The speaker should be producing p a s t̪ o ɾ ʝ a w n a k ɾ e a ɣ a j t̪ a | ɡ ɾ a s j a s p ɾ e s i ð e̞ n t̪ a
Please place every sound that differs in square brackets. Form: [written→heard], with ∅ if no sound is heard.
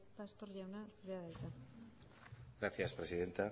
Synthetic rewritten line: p a s t̪ o ɾ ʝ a w n a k ɾ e a [ɣ→ð] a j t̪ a | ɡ ɾ a [s→θ] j a s p ɾ e s i ð e̞ n t̪ a